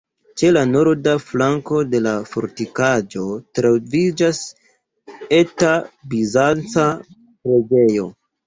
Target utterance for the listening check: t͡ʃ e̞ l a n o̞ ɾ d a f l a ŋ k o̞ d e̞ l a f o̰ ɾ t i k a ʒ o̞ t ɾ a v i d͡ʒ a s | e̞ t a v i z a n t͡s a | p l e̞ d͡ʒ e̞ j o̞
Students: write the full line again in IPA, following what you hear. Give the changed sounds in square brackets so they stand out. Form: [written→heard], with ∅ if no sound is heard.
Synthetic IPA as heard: t͡ʃ e̞ l a n o̞ ɾ d a f l a ŋ k o̞ d e̞ l a f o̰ ɾ t i k a [ʒ→d͡ʒ] o̞ t ɾ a v i d͡ʒ a s | e̞ t a [v→b] i z a n t͡s a | p [l→ɾ] e̞ d͡ʒ e̞ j o̞